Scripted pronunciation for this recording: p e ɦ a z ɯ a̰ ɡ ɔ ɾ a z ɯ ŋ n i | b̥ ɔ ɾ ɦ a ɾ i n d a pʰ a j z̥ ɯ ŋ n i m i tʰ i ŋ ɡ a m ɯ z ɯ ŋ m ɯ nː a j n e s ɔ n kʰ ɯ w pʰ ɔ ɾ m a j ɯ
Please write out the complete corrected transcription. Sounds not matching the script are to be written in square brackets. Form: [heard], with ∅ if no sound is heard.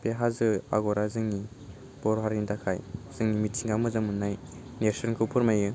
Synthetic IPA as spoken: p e ɦ a z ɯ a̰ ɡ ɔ ɾ a z ɯ ŋ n i | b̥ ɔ ɾ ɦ a ɾ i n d a [kʰ] a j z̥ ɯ ŋ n i m i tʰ i ŋ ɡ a m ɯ z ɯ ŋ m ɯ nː a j n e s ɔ n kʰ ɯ w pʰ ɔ ɾ m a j ɯ